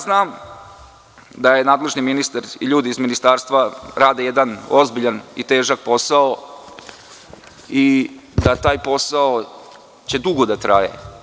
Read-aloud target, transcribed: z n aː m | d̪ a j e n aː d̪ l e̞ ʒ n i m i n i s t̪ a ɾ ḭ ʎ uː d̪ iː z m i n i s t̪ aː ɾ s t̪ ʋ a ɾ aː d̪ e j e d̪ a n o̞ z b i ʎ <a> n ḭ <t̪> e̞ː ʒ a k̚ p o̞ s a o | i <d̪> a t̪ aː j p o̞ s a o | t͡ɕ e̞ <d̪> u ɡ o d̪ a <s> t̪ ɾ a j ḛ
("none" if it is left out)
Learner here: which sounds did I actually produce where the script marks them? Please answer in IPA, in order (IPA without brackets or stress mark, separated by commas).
a, t̪, d̪, d̪, none